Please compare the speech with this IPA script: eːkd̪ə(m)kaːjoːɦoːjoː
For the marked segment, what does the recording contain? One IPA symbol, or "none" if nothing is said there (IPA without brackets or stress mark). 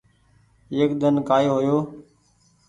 n